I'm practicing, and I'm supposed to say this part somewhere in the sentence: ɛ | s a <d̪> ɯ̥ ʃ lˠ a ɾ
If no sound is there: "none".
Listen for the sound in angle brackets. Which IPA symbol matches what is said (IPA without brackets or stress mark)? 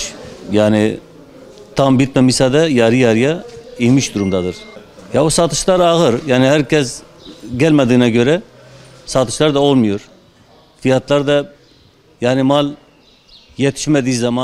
t̪